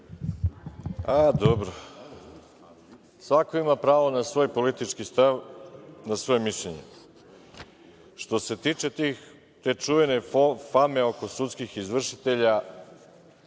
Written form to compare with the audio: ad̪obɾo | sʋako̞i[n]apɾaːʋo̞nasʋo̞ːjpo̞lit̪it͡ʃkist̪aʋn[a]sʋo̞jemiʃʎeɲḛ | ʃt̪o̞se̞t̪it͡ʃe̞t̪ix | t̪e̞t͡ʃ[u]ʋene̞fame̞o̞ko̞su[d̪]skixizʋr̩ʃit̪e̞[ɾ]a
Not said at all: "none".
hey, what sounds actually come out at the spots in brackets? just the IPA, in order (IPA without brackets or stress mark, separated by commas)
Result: m, a, u, t̪, ʎ